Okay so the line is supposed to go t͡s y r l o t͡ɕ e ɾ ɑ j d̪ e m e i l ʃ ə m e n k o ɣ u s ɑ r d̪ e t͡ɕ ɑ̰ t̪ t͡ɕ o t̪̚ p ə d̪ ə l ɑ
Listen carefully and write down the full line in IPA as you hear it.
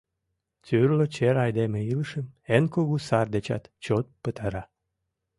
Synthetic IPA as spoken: t͡s y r l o t͡ɕ e ɾ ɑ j d̪ e m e i l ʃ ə m e n k o ɣ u s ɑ r d̪ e t͡ɕ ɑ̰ t̪ t͡ɕ o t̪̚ p ə t̪ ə ɾ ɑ